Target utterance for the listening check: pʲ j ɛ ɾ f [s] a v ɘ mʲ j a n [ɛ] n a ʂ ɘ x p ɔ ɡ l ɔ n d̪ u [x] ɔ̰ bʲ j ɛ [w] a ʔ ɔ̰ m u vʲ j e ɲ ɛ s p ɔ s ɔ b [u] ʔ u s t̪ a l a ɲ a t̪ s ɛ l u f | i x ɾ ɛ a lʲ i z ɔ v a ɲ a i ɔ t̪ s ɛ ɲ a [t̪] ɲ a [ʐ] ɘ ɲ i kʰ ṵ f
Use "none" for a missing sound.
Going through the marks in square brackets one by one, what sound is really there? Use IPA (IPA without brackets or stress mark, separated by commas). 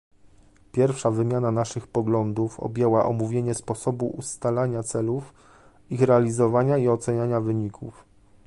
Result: ʂ, a, f, w, u, none, v